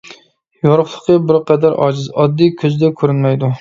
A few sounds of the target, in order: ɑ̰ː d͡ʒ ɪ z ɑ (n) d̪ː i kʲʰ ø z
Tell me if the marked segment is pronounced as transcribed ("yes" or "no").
no